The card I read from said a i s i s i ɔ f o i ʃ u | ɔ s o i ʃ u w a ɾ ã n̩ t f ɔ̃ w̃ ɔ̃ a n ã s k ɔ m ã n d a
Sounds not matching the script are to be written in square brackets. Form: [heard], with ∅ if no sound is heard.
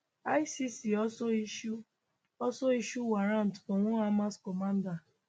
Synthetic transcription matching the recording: a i s i s i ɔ [s] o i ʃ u | ɔ s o i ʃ u w a ɾ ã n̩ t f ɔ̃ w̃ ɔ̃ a [m] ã s k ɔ m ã n d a